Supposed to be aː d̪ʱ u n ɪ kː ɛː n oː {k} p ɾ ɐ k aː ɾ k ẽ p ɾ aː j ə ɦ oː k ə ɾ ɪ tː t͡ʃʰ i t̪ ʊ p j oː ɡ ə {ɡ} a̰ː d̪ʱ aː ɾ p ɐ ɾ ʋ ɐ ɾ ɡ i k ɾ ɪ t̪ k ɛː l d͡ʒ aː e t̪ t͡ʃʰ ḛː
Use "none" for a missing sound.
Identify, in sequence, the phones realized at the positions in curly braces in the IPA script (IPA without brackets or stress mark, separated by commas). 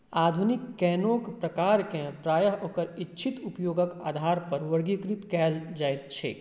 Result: k, k